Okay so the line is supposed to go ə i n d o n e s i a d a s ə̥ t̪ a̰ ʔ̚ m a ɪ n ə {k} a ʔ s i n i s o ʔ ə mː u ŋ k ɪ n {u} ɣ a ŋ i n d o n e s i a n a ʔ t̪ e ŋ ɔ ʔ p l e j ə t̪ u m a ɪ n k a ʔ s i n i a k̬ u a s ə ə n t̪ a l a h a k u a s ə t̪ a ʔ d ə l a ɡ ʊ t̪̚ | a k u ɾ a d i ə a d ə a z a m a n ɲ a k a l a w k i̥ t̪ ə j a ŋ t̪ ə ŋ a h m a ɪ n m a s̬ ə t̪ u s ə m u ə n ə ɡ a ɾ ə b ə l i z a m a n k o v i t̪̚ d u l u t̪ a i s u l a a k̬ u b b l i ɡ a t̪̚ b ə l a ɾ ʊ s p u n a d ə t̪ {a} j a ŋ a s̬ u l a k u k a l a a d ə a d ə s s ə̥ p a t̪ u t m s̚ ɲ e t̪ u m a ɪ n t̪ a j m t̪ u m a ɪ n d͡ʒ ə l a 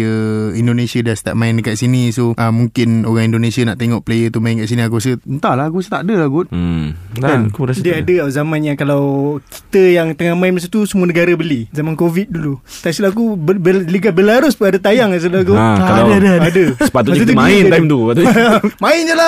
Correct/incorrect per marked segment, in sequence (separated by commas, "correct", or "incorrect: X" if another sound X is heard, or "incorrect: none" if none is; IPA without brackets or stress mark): correct, incorrect: o, correct